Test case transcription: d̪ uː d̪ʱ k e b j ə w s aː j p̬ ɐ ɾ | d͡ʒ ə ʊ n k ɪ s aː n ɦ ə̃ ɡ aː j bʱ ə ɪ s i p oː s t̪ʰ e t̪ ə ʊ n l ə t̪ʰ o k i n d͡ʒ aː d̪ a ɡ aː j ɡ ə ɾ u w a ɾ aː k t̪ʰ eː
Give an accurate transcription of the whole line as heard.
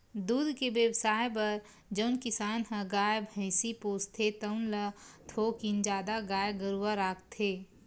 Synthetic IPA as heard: d̪ uː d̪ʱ k e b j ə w s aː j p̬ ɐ ɾ | d͡ʒ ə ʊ n k ɪ s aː n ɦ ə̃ ɡ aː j bʱ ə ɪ s i p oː s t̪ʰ e t̪ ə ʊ n l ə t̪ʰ o k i n d͡ʒ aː d̪ a ɡ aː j ɡ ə ɾ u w a ɾ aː k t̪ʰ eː